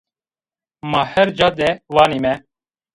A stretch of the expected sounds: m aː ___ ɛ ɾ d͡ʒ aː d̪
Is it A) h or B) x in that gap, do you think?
A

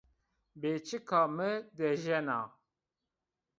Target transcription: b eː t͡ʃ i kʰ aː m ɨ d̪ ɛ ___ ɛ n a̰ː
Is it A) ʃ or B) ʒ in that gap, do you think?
B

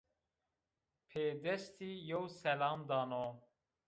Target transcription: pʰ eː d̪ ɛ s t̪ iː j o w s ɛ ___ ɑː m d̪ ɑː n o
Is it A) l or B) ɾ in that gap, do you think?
A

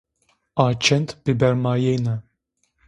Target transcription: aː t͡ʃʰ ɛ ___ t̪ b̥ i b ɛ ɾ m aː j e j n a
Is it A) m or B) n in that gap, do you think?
B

